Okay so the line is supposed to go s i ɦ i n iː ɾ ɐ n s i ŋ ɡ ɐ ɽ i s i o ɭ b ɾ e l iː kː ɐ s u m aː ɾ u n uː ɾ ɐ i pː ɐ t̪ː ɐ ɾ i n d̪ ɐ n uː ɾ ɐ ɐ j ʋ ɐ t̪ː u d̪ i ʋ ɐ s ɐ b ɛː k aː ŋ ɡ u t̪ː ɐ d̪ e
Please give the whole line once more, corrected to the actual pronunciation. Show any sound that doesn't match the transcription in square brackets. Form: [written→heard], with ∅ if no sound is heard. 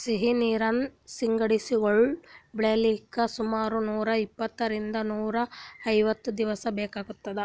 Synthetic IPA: s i ɦ i n iː ɾ ɐ n s i ŋ ɡ ɐ ɽ i s i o ɭ b [ɾ→ɭ] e l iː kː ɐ s u m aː ɾ u n uː ɾ ɐ i pː ɐ t̪ː ɐ ɾ i n d̪ ɐ n uː ɾ ɐ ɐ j ʋ ɐ t̪ː u d̪ i ʋ ɐ s ɐ b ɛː k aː [ŋ→∅] ɡ u t̪ː ɐ d̪ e